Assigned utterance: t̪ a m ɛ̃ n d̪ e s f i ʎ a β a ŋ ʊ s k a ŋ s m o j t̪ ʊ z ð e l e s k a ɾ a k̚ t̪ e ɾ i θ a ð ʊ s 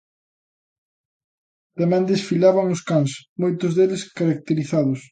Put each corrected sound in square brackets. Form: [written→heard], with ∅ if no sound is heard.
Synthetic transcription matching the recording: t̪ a m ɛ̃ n d̪ e s f i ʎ a β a ŋ ʊ s k a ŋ s m o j t̪ ʊ z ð e l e s k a ɾ a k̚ t̪ e ɾ i θ a ð ʊ s